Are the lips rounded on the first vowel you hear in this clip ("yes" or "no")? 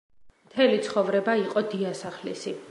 no